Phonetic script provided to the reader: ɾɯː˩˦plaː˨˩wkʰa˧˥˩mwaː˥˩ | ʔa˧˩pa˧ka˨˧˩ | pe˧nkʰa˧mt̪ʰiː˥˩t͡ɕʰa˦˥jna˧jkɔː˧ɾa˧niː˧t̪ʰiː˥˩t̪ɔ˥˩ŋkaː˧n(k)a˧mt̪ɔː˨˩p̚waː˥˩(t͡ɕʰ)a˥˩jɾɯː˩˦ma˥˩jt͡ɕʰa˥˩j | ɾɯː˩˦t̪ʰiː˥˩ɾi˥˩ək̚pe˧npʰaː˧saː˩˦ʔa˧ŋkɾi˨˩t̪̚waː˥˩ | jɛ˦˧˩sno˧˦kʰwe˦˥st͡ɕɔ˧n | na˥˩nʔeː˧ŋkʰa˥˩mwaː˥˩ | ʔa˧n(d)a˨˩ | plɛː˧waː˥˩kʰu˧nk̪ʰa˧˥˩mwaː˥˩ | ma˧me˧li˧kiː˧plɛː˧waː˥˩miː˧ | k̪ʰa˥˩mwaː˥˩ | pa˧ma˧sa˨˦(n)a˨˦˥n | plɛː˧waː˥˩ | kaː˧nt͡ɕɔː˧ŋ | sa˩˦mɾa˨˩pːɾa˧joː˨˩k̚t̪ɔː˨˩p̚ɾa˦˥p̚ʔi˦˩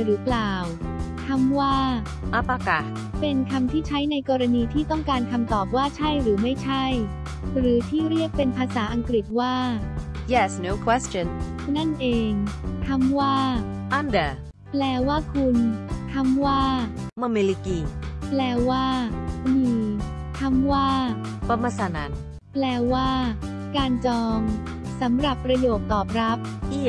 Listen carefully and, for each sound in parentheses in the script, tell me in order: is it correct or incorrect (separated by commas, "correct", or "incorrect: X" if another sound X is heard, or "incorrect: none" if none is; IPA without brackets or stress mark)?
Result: incorrect: kʰ, correct, correct, correct